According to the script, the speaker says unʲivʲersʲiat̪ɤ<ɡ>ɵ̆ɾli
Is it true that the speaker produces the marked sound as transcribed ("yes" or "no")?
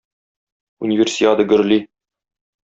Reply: yes